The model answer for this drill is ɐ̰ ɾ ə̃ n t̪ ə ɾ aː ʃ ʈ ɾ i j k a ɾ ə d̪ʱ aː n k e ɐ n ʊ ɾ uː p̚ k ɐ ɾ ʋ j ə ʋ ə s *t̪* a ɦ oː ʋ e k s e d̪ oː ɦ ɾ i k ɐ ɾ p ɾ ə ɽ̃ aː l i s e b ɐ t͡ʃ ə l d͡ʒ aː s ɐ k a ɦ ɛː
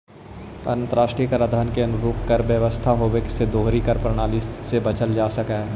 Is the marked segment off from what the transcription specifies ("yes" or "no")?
yes